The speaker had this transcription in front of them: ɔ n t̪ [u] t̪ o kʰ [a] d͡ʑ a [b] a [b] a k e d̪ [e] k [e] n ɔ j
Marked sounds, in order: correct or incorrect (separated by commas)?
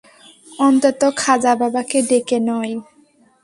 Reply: incorrect, correct, correct, correct, correct, correct